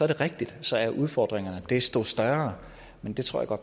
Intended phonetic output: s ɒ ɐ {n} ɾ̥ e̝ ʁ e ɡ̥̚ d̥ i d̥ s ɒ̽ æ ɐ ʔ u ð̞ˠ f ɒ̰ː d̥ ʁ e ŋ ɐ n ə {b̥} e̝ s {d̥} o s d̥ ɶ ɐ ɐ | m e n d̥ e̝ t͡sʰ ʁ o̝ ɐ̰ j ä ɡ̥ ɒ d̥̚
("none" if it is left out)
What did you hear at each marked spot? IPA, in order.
none, d̥, d̥

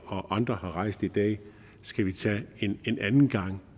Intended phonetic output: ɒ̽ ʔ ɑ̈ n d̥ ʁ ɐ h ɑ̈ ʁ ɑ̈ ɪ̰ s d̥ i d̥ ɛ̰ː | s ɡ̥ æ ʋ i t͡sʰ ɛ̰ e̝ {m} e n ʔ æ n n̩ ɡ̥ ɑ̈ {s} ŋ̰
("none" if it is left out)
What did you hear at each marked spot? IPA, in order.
n, none

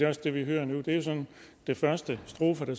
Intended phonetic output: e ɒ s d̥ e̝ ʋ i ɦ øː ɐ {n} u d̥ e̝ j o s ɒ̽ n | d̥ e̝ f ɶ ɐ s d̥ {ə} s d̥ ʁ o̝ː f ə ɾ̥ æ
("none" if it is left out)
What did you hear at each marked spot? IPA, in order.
n, ə

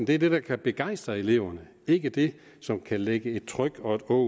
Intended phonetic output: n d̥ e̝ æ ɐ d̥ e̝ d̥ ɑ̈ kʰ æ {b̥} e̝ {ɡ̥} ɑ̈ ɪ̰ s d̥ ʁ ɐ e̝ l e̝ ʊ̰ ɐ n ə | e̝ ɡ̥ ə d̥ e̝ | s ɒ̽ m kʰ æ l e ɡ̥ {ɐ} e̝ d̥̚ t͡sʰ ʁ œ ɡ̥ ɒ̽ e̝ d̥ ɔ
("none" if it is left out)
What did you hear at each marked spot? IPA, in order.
b̥, ɡ̥, ə

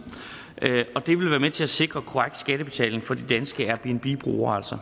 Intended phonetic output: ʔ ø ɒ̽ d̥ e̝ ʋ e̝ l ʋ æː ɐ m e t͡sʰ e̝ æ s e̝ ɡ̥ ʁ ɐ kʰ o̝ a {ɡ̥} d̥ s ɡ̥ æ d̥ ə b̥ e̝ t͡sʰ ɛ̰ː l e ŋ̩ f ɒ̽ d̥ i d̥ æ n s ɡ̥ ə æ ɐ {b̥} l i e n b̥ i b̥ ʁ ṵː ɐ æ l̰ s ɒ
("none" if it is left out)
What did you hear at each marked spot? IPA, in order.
ɡ̥, b̥

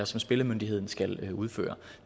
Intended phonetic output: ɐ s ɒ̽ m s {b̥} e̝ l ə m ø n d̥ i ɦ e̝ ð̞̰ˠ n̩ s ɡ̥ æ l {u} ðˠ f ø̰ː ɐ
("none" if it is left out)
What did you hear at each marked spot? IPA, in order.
b̥, u

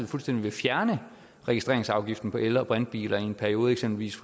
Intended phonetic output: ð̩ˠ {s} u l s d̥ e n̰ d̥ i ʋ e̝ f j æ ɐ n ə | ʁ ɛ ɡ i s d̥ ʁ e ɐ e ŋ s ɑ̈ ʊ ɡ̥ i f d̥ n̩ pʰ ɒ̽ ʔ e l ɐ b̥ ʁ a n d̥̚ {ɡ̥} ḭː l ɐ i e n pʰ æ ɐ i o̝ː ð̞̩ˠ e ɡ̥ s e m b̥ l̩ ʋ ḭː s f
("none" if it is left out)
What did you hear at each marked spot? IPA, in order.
f, b̥

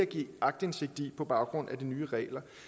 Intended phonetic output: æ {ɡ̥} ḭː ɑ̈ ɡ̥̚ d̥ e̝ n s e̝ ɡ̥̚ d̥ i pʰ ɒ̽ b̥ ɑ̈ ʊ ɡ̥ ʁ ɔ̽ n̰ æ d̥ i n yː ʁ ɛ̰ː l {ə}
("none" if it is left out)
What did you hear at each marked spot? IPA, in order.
ɡ̥, ɐ

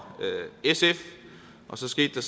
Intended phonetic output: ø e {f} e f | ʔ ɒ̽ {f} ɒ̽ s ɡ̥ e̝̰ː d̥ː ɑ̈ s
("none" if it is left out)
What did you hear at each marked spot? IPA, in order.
s, s

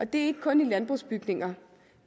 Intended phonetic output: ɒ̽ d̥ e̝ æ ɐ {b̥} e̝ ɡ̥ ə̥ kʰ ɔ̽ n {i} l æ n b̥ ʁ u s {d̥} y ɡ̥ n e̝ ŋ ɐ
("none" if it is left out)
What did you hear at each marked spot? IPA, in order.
none, i, b̥

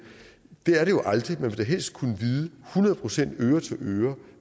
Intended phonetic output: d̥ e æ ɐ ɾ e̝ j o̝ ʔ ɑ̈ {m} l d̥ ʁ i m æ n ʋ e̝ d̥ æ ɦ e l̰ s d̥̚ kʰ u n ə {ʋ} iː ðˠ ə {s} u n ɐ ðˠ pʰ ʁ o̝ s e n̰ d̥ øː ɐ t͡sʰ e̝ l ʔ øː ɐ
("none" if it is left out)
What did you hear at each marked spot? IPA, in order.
none, ʋ, h

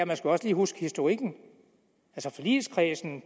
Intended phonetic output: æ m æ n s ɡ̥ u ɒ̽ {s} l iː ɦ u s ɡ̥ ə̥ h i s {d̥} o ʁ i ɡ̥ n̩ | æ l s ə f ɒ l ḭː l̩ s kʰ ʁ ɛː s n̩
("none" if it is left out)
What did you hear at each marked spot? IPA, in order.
s, d̥

